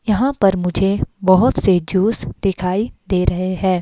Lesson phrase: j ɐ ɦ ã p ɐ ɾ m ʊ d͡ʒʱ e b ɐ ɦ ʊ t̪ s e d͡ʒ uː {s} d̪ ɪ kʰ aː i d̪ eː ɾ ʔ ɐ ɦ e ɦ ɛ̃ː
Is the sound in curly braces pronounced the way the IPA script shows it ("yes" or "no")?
yes